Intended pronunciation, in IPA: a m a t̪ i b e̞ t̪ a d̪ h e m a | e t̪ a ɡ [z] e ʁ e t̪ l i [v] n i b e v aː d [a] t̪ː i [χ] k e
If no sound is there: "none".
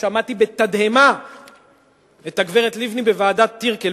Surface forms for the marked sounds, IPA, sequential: v, v, a, ʁ

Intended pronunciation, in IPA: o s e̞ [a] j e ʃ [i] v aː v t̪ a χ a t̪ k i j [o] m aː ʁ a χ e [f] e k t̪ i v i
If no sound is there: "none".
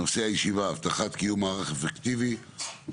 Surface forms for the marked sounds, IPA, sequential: a, i, u, f

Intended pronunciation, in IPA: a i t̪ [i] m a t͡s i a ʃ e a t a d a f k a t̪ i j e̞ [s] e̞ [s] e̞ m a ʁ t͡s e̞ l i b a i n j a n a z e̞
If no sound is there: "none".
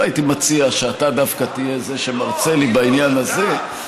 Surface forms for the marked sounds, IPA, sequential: i, z, ʃ

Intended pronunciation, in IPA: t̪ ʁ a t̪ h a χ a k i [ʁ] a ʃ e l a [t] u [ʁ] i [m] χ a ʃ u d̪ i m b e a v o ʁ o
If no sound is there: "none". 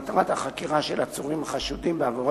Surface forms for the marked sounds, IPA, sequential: ʁ, t͡s, ʁ, m

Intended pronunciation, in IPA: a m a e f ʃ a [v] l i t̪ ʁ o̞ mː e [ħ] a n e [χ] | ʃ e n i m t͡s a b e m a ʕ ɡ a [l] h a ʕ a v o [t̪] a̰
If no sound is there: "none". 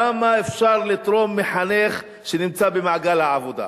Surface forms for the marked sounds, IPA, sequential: ʁ, ħ, χ, l, d̪

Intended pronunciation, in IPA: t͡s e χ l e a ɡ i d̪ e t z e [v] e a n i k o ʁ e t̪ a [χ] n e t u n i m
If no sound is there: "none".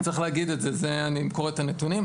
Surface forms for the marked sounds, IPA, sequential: z, none

